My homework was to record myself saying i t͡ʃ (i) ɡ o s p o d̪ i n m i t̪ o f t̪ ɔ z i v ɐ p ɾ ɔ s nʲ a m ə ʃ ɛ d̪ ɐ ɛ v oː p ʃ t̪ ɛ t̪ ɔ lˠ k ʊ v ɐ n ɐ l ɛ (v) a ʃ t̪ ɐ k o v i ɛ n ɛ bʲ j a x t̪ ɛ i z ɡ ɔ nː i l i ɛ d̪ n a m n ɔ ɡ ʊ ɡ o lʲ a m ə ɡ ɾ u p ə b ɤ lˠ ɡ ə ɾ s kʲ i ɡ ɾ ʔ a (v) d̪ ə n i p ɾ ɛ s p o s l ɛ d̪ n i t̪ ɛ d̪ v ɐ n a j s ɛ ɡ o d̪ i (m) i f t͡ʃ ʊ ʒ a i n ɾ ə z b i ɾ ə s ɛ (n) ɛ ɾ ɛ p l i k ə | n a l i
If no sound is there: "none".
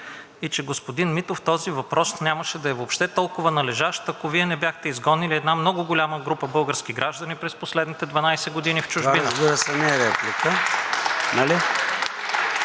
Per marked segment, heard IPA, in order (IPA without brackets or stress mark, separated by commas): ɛ, ʒ, ʒ, n, n